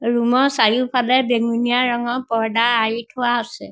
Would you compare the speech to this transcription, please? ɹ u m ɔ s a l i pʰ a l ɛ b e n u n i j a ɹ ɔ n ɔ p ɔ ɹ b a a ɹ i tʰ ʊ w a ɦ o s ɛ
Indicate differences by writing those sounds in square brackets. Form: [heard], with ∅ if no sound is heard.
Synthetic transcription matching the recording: ɹ u m ɔ s a [ɹ] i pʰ a l ɛ b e [ŋ] u n i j a ɹ ɔ [ŋ] ɔ p ɔ ɹ [d] a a ɹ i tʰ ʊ w a ɦ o s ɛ